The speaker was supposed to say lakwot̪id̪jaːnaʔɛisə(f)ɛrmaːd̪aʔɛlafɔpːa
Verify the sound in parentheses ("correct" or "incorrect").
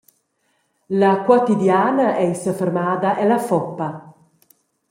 correct